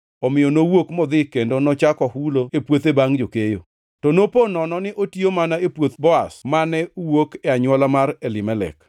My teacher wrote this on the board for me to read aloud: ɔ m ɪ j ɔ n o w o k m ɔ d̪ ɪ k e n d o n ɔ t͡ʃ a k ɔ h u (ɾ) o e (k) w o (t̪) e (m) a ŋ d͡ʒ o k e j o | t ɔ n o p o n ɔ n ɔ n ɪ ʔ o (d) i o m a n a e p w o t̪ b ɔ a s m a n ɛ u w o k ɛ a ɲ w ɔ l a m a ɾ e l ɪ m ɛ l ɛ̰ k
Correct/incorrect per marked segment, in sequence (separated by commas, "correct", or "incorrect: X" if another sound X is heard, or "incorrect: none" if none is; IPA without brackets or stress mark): incorrect: l, incorrect: p, correct, incorrect: b, incorrect: t